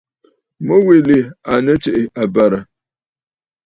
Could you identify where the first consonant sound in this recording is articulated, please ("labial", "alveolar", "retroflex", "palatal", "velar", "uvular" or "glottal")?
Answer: labial